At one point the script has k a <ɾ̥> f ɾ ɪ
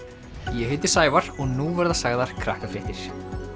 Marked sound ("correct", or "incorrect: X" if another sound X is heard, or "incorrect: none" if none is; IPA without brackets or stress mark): incorrect: none